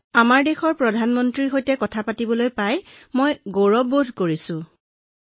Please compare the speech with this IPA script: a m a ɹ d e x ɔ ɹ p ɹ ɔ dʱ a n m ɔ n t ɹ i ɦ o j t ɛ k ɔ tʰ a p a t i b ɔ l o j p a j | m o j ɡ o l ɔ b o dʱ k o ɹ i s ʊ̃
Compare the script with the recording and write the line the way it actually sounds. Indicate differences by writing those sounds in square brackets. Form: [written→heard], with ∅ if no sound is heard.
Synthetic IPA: a m a ɹ d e x ɔ ɹ p ɹ ɔ dʱ a n m ɔ n t ɹ i ɦ o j t ɛ k ɔ tʰ a p a t i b ɔ l o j p a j | m o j ɡ o [l→ɹ] ɔ b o dʱ k o ɹ i s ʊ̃